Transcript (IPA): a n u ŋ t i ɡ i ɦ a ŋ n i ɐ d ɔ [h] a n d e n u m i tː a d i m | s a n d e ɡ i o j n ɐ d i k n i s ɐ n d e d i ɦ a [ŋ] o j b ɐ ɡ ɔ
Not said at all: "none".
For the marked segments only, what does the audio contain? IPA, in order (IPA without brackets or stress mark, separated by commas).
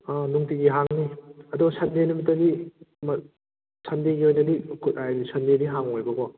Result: s, ŋ